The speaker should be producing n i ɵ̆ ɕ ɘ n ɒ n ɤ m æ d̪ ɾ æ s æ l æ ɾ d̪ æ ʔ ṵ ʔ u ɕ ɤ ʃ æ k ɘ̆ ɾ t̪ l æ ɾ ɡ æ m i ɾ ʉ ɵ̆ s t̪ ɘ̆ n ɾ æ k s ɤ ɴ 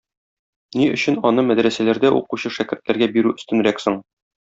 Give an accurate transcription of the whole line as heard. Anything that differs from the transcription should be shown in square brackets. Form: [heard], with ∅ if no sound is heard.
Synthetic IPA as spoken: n i ɵ̆ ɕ ɘ n ɒ n ɤ m æ d̪ ɾ æ s æ l æ ɾ d̪ æ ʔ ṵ [q] u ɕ ɤ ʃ æ k ɘ̆ ɾ t̪ l æ ɾ ɡ æ [b] i ɾ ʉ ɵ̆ s t̪ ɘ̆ n ɾ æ k s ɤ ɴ